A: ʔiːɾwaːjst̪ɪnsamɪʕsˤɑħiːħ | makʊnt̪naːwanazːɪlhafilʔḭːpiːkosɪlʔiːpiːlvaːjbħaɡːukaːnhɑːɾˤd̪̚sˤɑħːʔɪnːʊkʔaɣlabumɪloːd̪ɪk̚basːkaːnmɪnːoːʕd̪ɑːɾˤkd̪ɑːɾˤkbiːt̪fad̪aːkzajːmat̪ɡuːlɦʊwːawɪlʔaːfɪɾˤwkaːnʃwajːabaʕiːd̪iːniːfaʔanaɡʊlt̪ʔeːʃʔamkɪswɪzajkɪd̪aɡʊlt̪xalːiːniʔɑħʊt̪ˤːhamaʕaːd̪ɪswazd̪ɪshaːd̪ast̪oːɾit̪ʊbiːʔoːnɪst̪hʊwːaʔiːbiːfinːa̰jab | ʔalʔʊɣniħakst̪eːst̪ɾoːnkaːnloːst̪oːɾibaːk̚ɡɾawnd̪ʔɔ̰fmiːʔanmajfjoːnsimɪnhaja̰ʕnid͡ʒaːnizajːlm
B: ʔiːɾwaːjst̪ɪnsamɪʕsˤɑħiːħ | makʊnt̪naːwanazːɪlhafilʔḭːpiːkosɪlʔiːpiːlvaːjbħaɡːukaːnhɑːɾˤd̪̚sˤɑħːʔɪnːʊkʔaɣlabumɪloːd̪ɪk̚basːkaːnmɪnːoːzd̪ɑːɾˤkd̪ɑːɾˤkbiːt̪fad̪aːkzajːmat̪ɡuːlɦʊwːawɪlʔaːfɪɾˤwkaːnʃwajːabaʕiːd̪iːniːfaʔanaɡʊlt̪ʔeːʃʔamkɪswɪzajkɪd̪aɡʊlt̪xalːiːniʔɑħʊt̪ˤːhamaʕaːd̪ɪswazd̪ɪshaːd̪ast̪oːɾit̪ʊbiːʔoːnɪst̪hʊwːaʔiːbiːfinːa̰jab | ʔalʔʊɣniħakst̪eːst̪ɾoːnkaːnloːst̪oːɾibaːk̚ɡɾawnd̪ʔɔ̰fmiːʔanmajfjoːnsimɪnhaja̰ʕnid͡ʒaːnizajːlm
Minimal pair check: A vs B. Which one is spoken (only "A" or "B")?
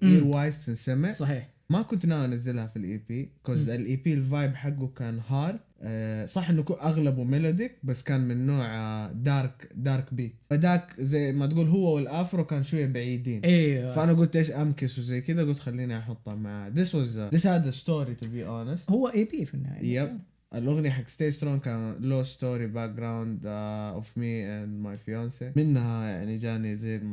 A